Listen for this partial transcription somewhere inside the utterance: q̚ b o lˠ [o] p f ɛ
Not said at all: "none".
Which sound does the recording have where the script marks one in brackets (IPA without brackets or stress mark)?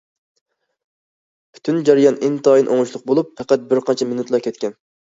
u